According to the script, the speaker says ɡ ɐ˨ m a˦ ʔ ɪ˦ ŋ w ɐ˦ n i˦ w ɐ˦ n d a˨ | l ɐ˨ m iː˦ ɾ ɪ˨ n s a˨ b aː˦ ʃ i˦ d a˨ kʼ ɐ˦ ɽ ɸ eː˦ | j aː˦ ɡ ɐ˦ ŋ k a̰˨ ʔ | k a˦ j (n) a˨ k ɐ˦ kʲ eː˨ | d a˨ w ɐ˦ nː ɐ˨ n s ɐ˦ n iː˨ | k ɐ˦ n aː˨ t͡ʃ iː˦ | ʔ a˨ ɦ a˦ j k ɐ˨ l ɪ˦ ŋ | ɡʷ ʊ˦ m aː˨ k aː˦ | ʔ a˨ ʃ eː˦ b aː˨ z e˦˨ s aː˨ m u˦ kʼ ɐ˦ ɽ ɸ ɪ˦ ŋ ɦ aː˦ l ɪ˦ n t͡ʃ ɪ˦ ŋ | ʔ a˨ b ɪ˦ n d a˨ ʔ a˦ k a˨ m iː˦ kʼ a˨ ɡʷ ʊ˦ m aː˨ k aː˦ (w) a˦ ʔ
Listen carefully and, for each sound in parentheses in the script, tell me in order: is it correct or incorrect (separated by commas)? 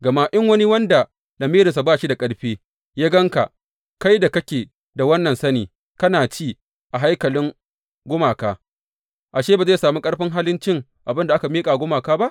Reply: incorrect, incorrect